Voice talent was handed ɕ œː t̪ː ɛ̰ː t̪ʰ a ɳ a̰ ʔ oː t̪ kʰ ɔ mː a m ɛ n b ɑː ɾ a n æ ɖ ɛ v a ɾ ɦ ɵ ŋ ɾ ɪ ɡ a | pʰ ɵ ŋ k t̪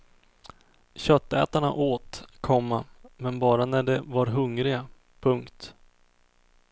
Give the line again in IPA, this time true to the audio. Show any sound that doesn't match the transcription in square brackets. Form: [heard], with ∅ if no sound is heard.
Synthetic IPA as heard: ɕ [œ] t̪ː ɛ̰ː [t̪] a ɳ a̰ ʔ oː t̪ kʰ ɔ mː a m ɛ n b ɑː ɾ a n æ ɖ ɛ v a ɾ ɦ ɵ ŋ ɾ ɪ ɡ a | pʰ ɵ ŋ k t̪